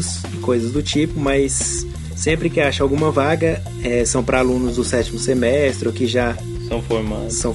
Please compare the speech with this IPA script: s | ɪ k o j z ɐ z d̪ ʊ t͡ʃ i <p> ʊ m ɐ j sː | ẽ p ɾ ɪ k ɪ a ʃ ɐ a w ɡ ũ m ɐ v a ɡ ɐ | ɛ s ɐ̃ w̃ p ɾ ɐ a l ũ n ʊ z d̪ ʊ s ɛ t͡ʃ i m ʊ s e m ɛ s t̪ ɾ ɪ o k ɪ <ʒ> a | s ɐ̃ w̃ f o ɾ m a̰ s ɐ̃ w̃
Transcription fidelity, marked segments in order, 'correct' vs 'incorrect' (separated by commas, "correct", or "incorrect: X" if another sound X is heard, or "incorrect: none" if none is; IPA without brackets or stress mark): correct, correct